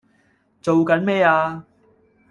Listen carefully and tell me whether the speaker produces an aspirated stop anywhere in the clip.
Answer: no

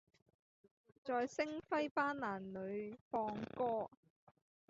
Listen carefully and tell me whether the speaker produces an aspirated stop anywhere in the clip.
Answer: no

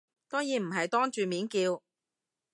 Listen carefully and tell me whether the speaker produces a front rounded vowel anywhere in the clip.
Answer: yes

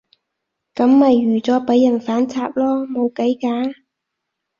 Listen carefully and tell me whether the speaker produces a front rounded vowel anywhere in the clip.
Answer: yes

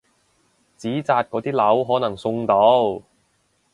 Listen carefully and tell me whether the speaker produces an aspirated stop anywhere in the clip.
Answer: no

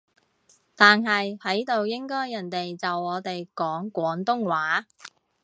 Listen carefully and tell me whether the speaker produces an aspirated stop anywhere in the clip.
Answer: no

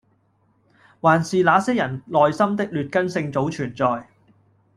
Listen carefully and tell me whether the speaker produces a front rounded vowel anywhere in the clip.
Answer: yes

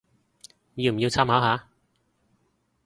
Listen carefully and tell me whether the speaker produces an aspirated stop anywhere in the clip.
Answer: yes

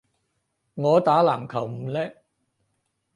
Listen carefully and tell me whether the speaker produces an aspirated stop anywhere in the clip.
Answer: yes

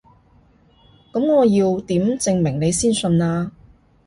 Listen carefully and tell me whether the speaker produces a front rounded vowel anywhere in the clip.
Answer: no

